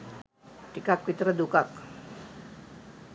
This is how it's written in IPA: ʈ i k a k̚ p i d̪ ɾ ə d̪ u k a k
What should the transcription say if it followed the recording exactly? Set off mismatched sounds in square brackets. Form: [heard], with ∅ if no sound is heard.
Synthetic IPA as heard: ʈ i k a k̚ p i [t̪] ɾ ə d̪ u k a k